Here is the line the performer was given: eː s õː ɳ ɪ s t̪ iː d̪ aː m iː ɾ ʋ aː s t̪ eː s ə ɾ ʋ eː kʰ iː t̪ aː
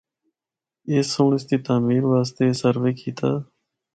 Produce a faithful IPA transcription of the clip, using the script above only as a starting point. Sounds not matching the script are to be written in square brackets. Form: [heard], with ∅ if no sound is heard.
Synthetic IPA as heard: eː s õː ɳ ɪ s t̪ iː [t̪] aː m iː ɾ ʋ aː s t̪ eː s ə ɾ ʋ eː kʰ iː t̪ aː